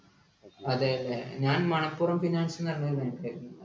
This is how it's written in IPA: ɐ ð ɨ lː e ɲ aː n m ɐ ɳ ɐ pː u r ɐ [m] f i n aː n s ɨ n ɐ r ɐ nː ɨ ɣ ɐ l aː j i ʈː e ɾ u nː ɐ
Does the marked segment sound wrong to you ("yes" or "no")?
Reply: no